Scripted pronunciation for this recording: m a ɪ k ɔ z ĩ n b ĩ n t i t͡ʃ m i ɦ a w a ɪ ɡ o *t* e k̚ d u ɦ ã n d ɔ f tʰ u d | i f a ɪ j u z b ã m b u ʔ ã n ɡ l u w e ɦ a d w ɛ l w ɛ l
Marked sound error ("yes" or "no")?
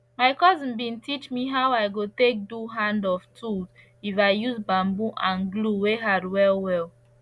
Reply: no